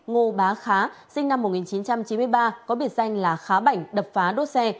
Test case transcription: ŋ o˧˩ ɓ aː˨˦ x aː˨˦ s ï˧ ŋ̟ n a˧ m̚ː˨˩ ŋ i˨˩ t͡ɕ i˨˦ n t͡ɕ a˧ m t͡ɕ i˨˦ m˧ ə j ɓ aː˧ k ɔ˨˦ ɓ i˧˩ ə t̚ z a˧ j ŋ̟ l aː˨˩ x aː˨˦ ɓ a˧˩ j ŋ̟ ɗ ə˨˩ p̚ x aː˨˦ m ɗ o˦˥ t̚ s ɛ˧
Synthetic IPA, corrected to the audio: ŋ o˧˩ ɓ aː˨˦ x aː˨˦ s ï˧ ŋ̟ n a˧ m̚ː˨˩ ŋ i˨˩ t͡ɕ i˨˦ n t͡ɕ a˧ m t͡ɕ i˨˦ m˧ ə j ɓ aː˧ k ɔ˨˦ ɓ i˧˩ ə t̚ z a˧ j ŋ̟ l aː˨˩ x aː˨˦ ɓ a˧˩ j ŋ̟ ɗ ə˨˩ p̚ f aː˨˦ ɗ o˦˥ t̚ s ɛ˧